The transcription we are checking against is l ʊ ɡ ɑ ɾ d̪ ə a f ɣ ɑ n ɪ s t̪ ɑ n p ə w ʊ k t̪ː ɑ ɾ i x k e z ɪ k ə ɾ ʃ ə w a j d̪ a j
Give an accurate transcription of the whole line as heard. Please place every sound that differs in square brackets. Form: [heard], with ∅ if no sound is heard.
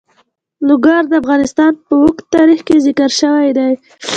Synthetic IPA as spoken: l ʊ ɡ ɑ ɾ d̪ ə a f ɣ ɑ n ɪ s t̪ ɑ n p ə w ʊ k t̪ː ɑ ɾ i x k e z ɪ k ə ɾ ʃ ə w a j d̪ a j